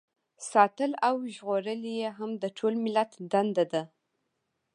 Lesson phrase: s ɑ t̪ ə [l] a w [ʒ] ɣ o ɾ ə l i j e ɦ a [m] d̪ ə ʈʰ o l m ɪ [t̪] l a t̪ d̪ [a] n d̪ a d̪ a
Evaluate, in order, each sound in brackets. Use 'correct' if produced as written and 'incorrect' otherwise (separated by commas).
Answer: correct, correct, correct, incorrect, correct